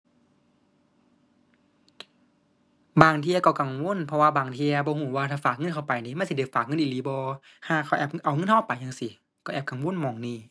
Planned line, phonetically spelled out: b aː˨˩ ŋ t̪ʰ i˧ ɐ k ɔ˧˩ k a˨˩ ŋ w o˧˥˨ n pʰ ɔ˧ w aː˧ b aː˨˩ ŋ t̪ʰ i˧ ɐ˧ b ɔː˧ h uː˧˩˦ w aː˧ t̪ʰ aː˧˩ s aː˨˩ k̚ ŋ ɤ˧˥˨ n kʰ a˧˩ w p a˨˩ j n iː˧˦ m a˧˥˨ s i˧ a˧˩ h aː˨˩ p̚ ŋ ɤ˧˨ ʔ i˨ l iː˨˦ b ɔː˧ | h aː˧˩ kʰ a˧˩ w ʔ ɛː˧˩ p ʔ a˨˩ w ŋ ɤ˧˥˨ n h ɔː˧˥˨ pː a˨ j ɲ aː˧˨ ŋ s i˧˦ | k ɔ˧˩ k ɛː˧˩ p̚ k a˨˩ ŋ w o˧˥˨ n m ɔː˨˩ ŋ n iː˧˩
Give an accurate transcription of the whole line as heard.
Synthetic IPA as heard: b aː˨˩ ŋ t̪ʰ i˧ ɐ k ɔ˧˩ k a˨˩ ŋ w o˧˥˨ n pʰ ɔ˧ w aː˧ b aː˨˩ ŋ t̪ʰ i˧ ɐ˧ b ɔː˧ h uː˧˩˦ w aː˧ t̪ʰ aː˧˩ f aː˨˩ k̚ ŋ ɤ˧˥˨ n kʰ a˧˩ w p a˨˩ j n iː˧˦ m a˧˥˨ s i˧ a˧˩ f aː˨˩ k̚ ŋ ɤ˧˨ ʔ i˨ l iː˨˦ b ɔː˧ | h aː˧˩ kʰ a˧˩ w ʔ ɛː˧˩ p ʔ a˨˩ w ŋ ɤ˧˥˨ n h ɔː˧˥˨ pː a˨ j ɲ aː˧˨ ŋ s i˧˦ | k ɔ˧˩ ʔ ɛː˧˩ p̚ k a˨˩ ŋ w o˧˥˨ n m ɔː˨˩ ŋ n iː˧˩

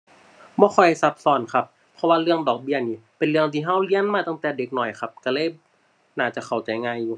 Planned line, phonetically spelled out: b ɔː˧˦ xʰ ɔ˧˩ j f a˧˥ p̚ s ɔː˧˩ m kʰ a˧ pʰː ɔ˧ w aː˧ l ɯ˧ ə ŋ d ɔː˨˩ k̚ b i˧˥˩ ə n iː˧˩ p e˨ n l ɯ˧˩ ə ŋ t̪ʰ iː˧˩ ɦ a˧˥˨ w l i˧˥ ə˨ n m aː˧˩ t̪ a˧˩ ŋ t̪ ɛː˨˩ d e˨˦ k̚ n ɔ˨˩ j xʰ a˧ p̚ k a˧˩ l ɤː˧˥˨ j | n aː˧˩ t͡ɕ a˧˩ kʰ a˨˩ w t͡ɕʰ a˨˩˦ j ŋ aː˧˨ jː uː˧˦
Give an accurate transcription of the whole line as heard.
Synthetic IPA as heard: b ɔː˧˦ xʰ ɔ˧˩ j s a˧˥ p̚ s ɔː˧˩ n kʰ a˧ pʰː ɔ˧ w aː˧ l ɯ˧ ə ŋ d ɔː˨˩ k̚ b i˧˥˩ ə n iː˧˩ p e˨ n l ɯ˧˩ ə ŋ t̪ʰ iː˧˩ ɦ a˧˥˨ w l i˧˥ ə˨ n m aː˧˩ t̪ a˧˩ ŋ t̪ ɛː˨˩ d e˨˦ k̚ n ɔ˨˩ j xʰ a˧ p̚ k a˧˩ l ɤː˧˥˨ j | n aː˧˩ t͡ɕ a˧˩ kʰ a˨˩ w t͡ɕ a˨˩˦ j ŋ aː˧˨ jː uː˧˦

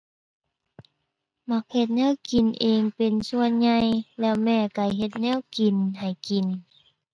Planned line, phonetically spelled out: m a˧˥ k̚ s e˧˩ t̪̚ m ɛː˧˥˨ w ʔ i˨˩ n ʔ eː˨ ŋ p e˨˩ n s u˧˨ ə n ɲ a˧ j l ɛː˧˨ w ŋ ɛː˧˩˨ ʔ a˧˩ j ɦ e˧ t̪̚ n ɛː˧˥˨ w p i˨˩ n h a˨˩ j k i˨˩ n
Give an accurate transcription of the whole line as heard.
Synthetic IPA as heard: m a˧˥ k̚ h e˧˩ t̪̚ n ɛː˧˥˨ w k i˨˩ n ʔ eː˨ ŋ p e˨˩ n s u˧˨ ə n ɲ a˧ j l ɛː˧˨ w m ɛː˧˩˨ k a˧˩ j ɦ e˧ t̪̚ n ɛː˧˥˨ w k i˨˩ n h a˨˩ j k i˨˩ n

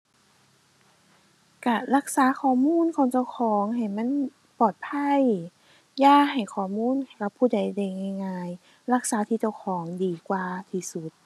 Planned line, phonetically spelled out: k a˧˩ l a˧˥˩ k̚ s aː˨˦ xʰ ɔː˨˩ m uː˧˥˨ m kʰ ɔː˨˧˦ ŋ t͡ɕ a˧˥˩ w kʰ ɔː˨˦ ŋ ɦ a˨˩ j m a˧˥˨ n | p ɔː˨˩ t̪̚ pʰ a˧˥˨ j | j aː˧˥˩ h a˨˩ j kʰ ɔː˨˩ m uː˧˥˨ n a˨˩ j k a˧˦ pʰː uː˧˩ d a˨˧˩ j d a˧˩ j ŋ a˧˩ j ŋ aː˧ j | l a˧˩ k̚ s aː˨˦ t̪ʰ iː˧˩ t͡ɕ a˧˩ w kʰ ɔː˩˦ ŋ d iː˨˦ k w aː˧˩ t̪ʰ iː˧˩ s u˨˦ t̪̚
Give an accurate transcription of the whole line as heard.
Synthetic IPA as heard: k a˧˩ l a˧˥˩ k̚ s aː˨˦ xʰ ɔː˨˩ m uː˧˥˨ n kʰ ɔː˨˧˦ ŋ t͡ɕ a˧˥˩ w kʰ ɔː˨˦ ŋ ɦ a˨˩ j m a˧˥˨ n | p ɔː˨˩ t̪̚ pʰ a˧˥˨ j | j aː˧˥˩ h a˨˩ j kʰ ɔː˨˩ m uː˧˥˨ n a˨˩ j k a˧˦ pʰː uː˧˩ d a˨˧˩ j d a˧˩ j ŋ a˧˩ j ŋ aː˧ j | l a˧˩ k̚ s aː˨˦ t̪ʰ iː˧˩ t͡ɕ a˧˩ w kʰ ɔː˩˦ ŋ d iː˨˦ k w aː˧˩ t̪ʰ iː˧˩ s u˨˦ t̪̚

